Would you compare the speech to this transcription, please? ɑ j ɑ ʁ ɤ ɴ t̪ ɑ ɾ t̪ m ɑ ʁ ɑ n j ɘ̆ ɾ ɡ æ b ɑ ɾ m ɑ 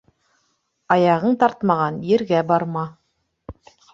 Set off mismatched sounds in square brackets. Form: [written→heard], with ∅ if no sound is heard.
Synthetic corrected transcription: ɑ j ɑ ʁ ɤ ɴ t̪ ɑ ɾ t̪ m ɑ ʁ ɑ n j ɘ̆ ɾ ɡ æ b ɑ ɾ m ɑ

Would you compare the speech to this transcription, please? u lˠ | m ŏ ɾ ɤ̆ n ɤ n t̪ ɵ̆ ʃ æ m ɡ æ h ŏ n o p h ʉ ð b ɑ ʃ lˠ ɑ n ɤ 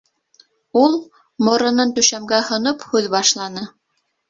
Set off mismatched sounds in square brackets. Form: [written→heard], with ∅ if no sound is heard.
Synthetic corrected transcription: u lˠ | m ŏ ɾ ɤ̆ n ɤ n t̪ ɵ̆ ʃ æ m ɡ æ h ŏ n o p h ʉ ð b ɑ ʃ lˠ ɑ n ɤ

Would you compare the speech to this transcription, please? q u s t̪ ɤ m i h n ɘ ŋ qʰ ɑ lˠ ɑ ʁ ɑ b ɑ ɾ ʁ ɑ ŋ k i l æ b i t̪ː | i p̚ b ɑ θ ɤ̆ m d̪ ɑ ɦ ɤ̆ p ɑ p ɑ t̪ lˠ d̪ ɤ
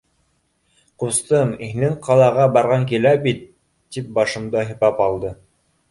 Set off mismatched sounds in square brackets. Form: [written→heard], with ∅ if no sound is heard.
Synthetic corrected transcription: q u s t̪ ɤ m i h n ɘ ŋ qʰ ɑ lˠ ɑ ʁ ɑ b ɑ ɾ ʁ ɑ ŋ k i l æ b i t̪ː | i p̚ b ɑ [θ→ʃ] ɤ̆ m d̪ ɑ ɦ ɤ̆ p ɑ p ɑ [t̪→∅] lˠ d̪ ɤ

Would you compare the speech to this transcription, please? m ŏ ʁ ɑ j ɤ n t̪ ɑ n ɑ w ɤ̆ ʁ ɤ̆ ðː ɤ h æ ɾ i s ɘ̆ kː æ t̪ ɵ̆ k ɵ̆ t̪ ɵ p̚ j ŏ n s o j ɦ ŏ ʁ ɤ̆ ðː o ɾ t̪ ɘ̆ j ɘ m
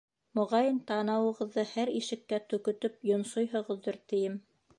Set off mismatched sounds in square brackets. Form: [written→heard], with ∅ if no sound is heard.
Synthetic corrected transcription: m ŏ ʁ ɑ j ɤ n t̪ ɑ n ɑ w ɤ̆ ʁ ɤ̆ ðː ɤ h æ ɾ i [s→ʃ] ɘ̆ kː æ t̪ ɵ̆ k ɵ̆ t̪ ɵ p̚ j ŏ n s o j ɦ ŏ ʁ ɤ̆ ðː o ɾ t̪ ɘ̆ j ɘ m

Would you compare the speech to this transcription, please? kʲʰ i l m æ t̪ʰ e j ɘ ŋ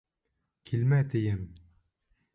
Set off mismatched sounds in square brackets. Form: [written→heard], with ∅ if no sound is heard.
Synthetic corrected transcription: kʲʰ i l m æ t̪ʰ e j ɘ [ŋ→m]

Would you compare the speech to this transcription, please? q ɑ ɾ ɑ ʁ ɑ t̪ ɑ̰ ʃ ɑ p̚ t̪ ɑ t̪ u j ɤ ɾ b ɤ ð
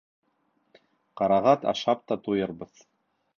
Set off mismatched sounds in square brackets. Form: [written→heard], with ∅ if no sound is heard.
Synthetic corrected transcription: q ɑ ɾ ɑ ʁ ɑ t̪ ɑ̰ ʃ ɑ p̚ t̪ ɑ t̪ u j ɤ ɾ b ɤ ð

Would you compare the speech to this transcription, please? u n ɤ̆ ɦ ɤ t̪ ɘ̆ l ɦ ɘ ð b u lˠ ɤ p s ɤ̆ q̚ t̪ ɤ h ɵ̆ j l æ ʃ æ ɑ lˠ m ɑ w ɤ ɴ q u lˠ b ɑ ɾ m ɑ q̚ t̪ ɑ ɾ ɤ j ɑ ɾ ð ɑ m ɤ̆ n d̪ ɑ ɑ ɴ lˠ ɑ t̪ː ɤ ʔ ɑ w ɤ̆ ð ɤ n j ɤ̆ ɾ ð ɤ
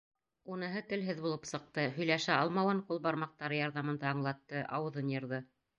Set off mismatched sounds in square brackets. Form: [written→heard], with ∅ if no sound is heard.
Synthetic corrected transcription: u n ɤ̆ ɦ ɤ t̪ ɘ̆ l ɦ ɘ ð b u lˠ ɤ p s ɤ̆ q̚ t̪ ɤ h ɵ̆ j l æ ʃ æ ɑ lˠ m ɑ w ɤ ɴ q u lˠ b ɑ ɾ m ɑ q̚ t̪ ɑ ɾ ɤ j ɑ ɾ ð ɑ m ɤ̆ n d̪ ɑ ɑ ɴ lˠ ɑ t̪ː ɤ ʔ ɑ w ɤ̆ ð ɤ n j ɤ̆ ɾ ð ɤ

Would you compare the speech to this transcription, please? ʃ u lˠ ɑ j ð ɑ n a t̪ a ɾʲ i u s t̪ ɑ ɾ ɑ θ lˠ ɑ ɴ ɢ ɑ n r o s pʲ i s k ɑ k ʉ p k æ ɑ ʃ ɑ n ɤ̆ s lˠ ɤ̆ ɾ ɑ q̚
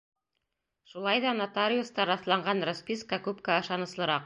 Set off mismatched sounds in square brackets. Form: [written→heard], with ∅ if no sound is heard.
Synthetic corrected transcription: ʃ u lˠ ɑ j ð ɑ n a t̪ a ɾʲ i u s t̪ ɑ ɾ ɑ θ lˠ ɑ ɴ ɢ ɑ n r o s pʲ i s k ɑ k ʉ p k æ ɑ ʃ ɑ n ɤ̆ s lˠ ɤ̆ ɾ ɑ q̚

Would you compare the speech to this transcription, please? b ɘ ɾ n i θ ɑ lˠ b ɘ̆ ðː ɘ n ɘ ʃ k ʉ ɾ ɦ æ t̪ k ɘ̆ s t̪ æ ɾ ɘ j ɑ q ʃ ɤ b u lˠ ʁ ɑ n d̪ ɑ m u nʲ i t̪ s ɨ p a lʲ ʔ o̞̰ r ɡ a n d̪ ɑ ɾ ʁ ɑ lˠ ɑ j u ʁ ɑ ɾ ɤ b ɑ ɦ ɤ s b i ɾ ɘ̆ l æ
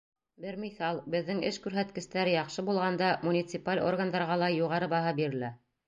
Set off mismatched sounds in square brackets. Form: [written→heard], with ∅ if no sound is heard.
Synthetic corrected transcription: b ɘ ɾ [n→m] i θ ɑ lˠ b ɘ̆ ðː ɘ [n→ŋ] ɘ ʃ k ʉ ɾ ɦ æ t̪ k ɘ̆ s t̪ æ ɾ ɘ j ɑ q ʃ ɤ b u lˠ ʁ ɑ n d̪ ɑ m u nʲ i t̪ s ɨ p a lʲ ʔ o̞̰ r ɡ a n d̪ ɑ ɾ ʁ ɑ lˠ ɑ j u ʁ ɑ ɾ ɤ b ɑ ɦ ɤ [s→∅] b i ɾ ɘ̆ l æ

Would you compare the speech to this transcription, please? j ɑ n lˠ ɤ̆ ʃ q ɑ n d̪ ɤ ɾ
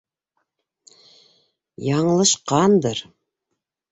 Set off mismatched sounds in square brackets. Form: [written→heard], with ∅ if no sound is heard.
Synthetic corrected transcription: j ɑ [n→ɴ] lˠ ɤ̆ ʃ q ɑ n d̪ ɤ ɾ

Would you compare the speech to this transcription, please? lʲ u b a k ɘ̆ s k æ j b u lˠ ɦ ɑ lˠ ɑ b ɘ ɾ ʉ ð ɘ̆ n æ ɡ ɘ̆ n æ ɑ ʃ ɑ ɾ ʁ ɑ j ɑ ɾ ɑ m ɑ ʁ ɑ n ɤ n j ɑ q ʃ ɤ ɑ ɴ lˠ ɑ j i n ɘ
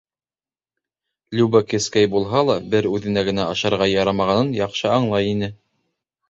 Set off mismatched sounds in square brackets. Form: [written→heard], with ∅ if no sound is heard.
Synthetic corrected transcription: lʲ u b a k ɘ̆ s k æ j b u lˠ ɦ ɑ lˠ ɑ b ɘ ɾ ʉ ð ɘ̆ n æ ɡ ɘ̆ n æ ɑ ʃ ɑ ɾ ʁ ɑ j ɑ ɾ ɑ m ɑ ʁ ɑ n ɤ n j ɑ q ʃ ɤ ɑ ɴ lˠ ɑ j i n ɘ

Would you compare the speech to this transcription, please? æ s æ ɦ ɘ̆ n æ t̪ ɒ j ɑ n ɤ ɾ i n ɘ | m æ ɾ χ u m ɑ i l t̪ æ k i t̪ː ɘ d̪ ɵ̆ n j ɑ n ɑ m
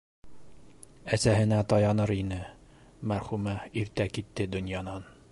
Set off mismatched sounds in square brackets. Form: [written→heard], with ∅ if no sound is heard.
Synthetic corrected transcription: æ s æ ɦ ɘ̆ n æ t̪ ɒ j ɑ n ɤ ɾ i n ɘ | m æ ɾ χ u m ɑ i [l→ɾ] t̪ æ k i t̪ː ɘ d̪ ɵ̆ n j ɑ n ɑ [m→n]

